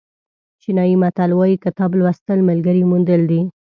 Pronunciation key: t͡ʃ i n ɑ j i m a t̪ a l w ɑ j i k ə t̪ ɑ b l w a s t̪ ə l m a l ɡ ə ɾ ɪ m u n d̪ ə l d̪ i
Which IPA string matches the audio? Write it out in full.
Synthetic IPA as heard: t͡ʃ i n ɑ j i m a t̪ a l w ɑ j i k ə t̪ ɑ b l w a s t̪ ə l m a l ɡ ə ɾ i m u n d̪ ə l d̪ i